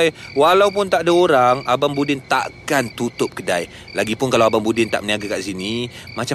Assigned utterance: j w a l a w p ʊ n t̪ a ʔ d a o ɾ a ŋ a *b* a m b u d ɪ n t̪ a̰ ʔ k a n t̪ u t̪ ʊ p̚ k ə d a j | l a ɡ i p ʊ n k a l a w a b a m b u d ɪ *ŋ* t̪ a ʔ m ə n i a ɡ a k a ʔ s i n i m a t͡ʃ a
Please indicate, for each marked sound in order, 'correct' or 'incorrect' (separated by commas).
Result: correct, incorrect